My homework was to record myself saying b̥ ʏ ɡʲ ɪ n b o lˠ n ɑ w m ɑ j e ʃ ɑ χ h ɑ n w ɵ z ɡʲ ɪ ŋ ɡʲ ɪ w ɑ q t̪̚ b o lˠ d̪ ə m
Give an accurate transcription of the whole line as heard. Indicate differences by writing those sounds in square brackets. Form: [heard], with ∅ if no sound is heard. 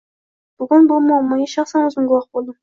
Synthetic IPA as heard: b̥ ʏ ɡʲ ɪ n b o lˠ [m] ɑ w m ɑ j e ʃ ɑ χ [s] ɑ n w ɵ z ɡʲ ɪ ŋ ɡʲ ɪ w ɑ q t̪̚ b o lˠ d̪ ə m